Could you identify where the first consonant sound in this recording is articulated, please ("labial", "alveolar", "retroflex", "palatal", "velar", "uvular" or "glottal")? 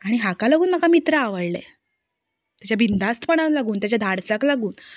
retroflex